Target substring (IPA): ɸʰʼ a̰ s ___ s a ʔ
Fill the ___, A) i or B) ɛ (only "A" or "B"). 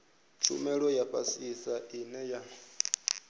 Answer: A